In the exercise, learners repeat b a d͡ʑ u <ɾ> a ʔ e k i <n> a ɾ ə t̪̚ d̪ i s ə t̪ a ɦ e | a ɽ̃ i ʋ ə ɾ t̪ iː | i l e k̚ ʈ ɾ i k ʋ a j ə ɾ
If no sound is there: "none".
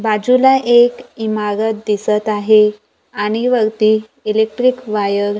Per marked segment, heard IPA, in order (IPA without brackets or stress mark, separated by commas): l, m